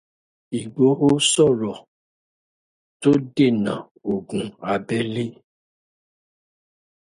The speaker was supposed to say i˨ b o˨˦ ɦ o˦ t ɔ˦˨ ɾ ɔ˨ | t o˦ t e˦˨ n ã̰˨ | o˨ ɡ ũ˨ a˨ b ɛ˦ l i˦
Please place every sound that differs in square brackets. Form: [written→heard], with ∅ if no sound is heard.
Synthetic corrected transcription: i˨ [b→ɡ͡b] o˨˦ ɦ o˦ [t→s] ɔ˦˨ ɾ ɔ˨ | t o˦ [t→d] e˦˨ n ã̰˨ | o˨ ɡ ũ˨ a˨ b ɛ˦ l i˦